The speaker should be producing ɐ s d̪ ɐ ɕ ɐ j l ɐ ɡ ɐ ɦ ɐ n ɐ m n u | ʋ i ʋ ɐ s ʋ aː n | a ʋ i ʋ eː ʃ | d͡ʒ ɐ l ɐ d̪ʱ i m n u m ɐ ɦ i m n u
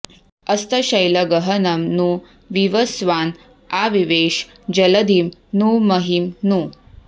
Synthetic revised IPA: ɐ s t̪ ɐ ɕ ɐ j l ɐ ɡ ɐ ɦ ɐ n ɐ m n u | ʋ i ʋ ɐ s ʋ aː n | a ʋ i ʋ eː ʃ | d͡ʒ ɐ l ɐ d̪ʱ i m n u m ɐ ɦ i m n u